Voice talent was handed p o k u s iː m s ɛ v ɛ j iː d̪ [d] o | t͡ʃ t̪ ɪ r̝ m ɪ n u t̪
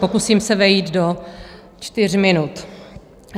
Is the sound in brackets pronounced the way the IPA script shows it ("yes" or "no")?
yes